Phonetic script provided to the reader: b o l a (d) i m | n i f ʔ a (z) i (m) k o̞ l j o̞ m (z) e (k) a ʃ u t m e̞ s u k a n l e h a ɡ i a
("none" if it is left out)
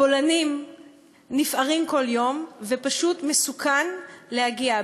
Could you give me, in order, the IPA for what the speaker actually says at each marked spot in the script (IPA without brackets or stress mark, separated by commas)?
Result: n, ʁ, m, v, p